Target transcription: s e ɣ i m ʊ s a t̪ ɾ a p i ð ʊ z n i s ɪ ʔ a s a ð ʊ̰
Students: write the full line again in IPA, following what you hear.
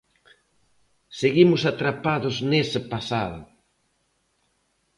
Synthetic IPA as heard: s e ɣ i m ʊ s a t̪ ɾ a p a ð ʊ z n e s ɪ p a s a ð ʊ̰

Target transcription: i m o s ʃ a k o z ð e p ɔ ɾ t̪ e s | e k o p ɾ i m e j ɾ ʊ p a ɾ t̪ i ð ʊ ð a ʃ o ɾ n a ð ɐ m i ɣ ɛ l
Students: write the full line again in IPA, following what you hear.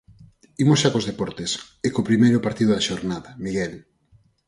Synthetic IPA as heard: i m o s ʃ a k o z ð e p ɔ ɾ t̪ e s | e k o p ɾ i m e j ɾ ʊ p a ɾ t̪ i ð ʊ ð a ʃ o ɾ n a ð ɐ m i ɣ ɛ l

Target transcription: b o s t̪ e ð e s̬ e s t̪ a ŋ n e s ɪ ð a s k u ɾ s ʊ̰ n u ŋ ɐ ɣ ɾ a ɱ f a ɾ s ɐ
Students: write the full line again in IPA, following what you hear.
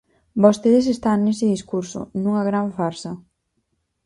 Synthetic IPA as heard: b o s t̪ e ð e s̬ e s t̪ a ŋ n e s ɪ ð i s k u ɾ s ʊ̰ n u ŋ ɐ ɣ ɾ a ɱ f a ɾ s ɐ

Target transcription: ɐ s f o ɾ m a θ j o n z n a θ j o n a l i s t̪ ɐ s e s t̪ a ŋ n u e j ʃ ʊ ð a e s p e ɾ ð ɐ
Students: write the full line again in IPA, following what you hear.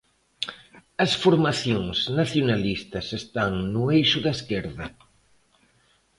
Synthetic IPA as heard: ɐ s f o ɾ m a θ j o ŋ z n a θ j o n a l i s t̪ ɐ s e s t̪ a ŋ n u e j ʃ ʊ ð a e s k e ɾ ð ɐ

